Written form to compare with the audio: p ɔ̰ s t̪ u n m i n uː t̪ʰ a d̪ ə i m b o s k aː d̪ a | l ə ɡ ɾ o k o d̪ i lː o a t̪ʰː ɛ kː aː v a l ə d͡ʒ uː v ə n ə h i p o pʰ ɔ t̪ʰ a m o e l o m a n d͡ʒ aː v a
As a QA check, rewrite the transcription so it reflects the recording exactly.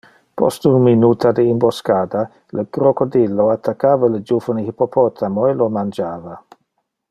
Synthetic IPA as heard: p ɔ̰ s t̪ u n m i n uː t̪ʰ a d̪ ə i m b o s k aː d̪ a | l ə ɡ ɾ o k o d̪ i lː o a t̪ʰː a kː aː v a l ə d͡ʒ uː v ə n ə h i p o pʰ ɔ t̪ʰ a m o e l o m a n d͡ʒ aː v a